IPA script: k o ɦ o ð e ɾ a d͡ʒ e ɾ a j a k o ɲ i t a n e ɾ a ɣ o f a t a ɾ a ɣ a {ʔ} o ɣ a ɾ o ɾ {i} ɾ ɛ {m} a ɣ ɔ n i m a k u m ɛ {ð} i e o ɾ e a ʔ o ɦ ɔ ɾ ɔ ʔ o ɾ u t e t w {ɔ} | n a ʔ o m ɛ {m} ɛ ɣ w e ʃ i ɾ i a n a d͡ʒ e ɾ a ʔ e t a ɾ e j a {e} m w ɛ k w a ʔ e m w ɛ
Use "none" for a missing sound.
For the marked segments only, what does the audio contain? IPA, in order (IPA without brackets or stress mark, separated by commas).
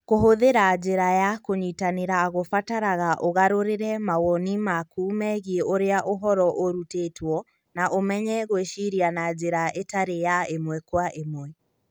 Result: ʔ, e, m, ɣ, ɔ, ɲ, e